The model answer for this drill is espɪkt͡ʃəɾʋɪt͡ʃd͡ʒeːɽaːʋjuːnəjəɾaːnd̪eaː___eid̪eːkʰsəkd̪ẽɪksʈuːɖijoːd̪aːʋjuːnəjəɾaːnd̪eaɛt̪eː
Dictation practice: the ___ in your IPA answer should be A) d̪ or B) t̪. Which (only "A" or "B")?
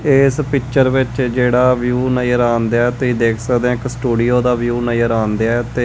B